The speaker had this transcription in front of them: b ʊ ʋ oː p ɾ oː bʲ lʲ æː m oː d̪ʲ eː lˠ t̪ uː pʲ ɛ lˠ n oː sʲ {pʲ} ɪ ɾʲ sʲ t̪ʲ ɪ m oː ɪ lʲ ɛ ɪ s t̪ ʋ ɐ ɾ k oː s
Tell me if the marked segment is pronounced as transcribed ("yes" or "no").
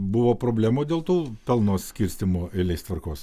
no